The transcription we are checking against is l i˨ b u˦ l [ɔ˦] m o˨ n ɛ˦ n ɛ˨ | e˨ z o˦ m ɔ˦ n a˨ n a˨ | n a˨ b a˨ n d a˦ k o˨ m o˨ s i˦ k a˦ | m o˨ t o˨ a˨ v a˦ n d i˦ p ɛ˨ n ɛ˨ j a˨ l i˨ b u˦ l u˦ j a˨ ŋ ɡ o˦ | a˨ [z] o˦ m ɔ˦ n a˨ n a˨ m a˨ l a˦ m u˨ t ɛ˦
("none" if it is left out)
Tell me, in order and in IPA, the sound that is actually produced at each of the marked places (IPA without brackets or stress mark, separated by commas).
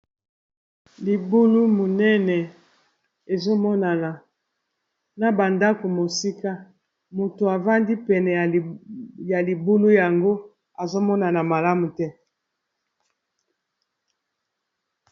u˦, z